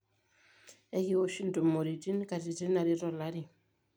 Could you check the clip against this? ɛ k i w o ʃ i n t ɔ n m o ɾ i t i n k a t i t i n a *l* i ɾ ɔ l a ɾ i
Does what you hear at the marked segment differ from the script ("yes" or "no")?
yes